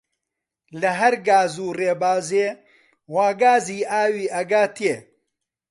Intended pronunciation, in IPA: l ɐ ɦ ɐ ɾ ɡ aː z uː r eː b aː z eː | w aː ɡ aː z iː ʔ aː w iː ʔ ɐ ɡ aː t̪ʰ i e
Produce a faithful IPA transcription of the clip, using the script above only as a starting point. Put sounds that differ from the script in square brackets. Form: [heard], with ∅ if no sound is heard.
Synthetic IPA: l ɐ ɦ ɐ ɾ ɡ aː z uː r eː b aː z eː | w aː ɡ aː z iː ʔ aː w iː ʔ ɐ ɡ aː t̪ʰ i e